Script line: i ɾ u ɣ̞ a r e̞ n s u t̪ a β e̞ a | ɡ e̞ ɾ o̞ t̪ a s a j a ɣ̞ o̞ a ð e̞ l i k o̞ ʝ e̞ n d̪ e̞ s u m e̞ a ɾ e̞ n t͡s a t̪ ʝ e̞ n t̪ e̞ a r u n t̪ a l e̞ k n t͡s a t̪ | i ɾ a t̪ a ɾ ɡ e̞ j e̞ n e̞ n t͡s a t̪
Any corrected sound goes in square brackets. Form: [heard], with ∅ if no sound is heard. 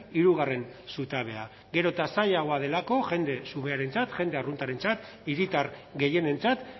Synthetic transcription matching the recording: i ɾ u ɣ̞ a r e̞ n s u t̪ a β e̞ a | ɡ e̞ ɾ o̞ t̪ a s a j a ɣ̞ o̞ a ð e̞ l [a] k o̞ ʝ e̞ n d̪ e̞ s u m e̞ a ɾ e̞ n t͡s a t̪ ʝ e̞ n [d̪] e̞ a r u n t̪ a [ɾ] e̞ [∅] n t͡s a t̪ | i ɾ [i] t̪ a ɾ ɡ e̞ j e̞ n e̞ n t͡s a t̪